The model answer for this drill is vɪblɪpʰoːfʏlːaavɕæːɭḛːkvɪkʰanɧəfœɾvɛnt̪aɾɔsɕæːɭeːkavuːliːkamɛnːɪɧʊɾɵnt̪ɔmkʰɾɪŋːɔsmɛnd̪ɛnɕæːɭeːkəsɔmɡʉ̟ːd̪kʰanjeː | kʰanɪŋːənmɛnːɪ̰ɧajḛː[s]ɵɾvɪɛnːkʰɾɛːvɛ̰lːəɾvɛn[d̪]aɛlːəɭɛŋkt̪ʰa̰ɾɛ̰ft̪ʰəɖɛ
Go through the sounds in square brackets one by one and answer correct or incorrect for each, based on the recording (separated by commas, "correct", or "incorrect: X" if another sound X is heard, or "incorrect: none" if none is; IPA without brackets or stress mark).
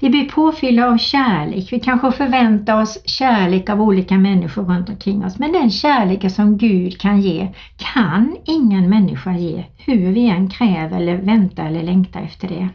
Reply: incorrect: h, incorrect: t̪